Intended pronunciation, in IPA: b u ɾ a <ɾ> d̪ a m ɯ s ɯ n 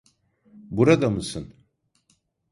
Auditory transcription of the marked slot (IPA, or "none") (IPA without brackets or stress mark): none